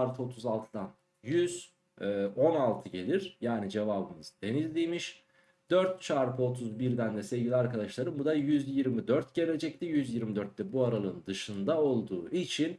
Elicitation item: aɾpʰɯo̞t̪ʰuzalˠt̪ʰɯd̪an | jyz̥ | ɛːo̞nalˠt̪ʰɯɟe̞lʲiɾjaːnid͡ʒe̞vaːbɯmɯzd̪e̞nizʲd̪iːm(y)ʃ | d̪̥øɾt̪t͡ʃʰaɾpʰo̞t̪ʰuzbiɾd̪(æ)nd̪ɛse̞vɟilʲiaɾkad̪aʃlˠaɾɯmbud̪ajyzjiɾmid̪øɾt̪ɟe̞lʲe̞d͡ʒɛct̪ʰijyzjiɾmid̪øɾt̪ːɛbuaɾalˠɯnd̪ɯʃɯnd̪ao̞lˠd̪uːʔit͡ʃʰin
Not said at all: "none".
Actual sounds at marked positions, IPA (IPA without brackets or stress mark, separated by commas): i, æ